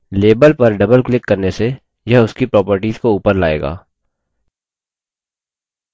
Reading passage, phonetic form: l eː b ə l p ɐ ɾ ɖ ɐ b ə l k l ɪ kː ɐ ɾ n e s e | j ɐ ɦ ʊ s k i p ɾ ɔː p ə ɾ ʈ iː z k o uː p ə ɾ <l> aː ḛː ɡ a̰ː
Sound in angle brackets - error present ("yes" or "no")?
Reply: no